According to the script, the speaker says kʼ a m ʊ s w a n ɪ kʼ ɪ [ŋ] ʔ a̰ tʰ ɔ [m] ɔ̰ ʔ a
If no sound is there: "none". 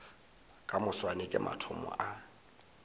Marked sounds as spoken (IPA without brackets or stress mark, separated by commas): m, m